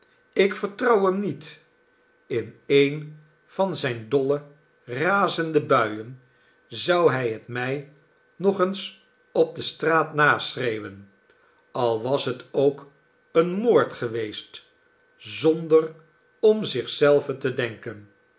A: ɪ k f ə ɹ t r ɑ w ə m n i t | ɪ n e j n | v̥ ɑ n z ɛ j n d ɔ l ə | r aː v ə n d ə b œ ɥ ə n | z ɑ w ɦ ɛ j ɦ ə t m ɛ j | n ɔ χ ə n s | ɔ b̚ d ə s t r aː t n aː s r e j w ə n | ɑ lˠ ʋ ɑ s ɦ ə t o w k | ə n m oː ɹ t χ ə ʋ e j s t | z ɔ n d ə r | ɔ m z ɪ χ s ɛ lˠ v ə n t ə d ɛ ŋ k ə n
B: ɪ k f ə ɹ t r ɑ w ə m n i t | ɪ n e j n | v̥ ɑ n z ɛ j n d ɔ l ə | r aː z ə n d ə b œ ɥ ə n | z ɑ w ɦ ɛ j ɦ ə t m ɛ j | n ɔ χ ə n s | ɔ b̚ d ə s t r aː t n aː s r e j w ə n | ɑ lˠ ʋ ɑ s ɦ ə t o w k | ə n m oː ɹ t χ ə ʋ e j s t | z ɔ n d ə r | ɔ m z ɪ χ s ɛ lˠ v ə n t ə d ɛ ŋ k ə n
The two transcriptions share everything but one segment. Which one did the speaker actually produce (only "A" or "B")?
B